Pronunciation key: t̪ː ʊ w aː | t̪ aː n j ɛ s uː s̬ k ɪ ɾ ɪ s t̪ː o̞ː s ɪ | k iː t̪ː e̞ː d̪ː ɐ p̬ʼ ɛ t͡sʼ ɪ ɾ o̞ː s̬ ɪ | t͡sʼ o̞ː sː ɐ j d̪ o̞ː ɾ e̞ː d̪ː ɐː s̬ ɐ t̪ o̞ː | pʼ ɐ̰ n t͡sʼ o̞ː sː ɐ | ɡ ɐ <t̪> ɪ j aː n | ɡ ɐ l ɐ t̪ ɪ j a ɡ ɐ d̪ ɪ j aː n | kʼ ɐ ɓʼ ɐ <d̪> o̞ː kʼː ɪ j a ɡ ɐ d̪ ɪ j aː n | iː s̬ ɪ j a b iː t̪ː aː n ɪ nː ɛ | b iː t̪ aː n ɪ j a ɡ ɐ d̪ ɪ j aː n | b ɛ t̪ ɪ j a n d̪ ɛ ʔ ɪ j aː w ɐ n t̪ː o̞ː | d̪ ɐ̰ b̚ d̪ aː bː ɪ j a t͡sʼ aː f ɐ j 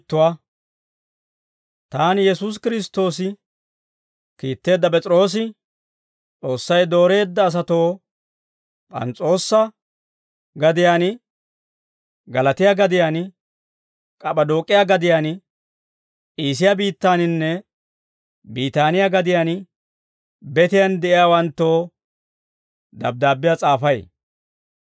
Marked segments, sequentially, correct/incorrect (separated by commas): incorrect, correct